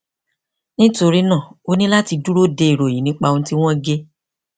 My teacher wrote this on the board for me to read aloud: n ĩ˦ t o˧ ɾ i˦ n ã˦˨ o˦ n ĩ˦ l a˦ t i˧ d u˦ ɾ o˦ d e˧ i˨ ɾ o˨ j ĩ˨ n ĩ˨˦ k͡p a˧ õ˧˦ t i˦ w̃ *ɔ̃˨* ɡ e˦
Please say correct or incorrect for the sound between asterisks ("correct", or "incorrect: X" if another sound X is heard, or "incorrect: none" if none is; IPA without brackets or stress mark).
incorrect: ɔ̃˦